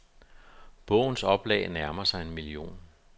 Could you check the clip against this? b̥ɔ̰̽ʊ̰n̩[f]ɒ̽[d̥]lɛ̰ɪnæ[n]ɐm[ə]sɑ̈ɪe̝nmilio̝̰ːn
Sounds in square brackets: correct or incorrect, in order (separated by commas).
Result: incorrect, incorrect, incorrect, incorrect